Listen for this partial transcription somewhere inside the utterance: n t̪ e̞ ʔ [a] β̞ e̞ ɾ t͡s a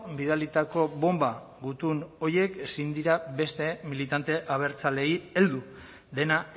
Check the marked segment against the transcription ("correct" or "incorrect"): correct